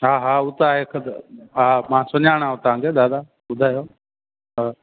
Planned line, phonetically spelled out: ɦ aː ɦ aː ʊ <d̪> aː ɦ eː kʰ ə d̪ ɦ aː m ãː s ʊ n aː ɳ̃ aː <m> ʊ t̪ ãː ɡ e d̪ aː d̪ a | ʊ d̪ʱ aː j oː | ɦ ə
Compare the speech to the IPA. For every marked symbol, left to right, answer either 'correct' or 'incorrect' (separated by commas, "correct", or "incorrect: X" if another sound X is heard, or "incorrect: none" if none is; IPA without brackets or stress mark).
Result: incorrect: t̪, incorrect: none